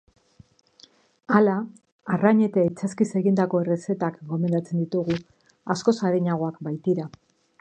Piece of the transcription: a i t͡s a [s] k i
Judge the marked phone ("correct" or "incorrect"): correct